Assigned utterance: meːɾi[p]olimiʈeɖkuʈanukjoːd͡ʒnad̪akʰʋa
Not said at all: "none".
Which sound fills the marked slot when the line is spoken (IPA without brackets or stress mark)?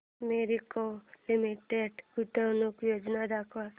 k